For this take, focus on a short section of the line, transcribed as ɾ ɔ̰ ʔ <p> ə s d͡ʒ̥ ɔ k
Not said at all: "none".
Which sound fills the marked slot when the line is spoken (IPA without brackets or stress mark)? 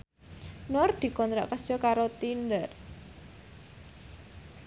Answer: k